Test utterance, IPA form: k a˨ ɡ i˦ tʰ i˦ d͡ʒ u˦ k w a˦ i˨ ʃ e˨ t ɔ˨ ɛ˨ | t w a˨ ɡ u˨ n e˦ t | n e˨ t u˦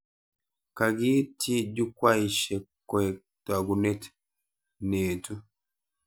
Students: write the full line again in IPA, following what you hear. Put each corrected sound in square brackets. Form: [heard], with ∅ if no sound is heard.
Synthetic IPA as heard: k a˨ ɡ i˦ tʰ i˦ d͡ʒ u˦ k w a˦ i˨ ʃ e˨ [k] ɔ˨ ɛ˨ | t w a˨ ɡ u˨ n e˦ t | n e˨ t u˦